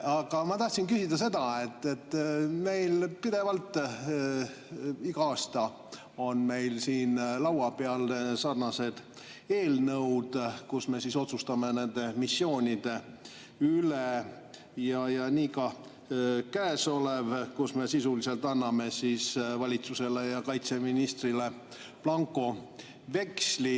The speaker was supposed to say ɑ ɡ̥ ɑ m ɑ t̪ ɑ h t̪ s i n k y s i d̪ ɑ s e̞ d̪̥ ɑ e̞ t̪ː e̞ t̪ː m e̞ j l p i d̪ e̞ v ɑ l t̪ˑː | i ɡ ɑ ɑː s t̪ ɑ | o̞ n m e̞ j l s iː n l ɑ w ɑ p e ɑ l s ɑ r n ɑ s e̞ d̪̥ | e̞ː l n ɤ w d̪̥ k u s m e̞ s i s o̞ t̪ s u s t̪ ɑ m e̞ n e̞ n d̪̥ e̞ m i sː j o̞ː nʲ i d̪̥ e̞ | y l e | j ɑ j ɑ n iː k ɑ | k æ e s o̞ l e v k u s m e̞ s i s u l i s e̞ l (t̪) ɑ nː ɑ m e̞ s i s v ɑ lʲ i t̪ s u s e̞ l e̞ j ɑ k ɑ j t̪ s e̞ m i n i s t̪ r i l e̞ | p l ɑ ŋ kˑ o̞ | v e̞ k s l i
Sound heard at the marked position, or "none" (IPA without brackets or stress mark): t̪